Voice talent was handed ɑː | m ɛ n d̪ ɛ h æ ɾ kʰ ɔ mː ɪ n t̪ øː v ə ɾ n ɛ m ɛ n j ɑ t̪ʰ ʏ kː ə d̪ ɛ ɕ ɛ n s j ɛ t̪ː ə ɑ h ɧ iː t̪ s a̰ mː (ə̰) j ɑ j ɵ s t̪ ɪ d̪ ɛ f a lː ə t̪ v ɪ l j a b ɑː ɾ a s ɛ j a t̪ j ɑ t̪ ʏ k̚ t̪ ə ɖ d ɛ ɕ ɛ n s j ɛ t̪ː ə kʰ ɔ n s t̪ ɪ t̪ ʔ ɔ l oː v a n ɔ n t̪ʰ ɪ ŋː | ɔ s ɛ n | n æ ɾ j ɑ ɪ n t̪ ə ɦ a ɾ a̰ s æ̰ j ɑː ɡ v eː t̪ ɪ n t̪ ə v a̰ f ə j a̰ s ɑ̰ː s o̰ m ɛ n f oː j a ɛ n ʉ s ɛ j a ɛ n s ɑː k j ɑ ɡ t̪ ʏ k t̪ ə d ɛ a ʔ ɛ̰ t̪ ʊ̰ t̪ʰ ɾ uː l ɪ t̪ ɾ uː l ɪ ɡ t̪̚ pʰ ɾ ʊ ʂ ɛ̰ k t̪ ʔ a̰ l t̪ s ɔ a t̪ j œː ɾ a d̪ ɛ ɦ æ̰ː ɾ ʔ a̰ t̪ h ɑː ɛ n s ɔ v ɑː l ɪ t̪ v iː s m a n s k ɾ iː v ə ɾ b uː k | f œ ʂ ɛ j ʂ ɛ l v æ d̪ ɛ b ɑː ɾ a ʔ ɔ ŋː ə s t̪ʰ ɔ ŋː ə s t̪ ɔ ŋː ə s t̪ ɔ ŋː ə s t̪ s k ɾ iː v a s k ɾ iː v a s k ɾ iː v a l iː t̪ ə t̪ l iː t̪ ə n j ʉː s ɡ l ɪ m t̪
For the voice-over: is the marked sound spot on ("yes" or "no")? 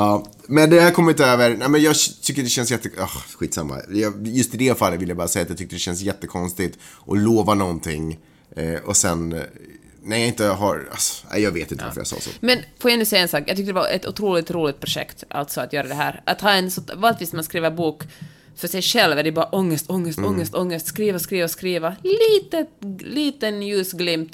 no